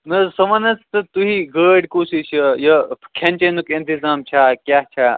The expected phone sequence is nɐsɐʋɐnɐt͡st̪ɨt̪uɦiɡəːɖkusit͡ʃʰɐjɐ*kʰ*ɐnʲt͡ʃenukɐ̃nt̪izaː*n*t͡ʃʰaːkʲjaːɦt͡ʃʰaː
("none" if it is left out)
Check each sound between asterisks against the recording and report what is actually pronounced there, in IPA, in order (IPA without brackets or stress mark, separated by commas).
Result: kʰ, m